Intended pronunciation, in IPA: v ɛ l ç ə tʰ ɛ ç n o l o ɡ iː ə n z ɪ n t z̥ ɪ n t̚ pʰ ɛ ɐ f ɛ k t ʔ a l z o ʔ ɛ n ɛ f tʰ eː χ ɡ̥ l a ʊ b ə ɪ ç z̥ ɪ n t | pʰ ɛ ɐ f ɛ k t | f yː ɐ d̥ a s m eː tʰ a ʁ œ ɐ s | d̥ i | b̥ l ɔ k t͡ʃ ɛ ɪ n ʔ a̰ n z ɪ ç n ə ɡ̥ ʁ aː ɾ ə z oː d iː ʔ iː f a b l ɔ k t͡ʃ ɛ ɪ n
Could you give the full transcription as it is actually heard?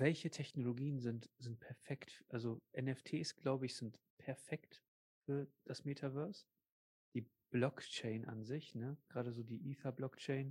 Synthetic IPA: v ɛ l ç ə tʰ ɛ ç n o l o ɡ iː ə n z ɪ n t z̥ ɪ n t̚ pʰ ɛ ɐ f ɛ k t ʔ a l z o ʔ ɛ n ɛ f tʰ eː s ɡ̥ l a ʊ b ə ɪ ç z̥ ɪ n t | pʰ ɛ ɐ f ɛ k t | f yː ɐ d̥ a s m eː tʰ a v œ ɐ s | d̥ iː | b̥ l ɔ k t͡ʃ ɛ ɪ n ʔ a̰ n z ɪ ç n ə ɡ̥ ʁ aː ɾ ə z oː d iː ʔ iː f a b l ɔ k t͡ʃ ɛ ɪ n